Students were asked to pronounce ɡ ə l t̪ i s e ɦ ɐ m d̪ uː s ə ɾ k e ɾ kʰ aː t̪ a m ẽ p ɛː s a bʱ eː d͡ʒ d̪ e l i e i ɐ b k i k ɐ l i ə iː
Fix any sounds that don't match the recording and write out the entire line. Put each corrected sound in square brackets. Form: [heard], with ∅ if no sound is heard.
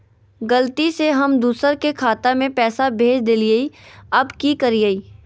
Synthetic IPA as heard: ɡ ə l t̪ i s e ɦ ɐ m d̪ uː s ə ɾ k e [∅] kʰ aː t̪ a m ẽ p ɛː s a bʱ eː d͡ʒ d̪ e l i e i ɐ b k i k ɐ [ɾ] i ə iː